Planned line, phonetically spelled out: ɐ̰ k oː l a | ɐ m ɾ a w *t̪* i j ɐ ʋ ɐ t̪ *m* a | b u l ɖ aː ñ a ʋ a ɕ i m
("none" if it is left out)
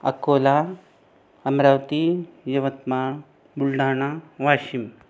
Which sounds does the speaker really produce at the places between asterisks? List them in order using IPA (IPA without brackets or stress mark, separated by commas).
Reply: t̪, m